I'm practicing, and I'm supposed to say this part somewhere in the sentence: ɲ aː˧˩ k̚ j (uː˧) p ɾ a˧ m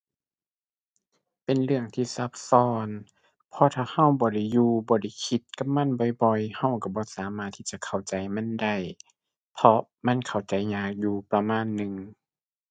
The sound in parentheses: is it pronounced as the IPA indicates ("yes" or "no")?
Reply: yes